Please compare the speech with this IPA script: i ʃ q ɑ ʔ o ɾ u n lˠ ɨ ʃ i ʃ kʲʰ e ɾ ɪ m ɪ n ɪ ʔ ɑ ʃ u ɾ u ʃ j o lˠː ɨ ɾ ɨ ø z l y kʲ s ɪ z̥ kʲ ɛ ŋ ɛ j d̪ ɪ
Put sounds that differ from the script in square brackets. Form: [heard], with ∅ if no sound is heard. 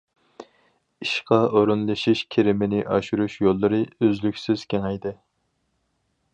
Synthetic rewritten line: i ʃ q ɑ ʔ o ɾ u n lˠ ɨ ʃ i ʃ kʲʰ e ɾ ɪ m ɪ n ɪ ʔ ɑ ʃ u ɾ u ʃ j o lˠː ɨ ɾ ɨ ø z l y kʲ s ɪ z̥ kʲ [e] ŋ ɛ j d̪ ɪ